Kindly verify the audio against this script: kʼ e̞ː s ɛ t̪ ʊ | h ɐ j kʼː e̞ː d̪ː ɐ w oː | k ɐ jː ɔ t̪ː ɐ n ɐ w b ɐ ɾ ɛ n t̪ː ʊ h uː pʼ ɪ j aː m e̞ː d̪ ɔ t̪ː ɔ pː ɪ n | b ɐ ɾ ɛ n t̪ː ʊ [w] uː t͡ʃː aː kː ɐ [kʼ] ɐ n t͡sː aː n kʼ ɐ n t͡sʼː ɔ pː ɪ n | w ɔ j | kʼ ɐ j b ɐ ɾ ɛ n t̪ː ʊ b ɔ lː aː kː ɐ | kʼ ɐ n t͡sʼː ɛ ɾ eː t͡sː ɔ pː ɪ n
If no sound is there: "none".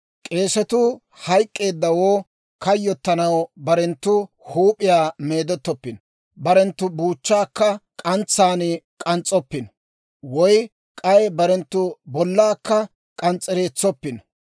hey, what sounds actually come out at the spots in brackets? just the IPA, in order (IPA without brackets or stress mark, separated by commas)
b, kʼ